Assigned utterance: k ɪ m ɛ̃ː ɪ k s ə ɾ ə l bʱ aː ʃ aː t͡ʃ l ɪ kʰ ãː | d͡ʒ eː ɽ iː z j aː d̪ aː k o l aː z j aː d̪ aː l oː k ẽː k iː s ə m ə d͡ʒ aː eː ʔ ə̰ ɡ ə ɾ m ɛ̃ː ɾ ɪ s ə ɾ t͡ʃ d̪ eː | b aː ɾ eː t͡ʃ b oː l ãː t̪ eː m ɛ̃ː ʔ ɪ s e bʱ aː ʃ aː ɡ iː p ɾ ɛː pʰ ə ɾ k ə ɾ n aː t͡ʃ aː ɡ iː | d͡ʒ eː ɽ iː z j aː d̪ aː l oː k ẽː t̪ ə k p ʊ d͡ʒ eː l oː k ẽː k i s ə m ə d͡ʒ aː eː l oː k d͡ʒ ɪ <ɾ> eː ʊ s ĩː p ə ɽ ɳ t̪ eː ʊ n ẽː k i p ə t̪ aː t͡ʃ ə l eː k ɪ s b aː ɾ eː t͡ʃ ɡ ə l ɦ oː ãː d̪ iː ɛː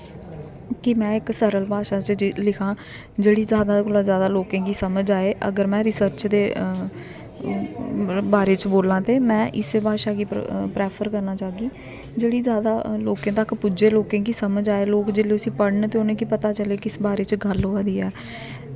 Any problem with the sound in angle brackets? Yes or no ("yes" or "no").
yes